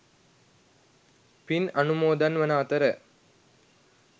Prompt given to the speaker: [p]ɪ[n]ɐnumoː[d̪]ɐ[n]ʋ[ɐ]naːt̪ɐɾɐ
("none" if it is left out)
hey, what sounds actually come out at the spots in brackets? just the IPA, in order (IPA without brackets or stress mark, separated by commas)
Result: p, n, d̪, n, ɐ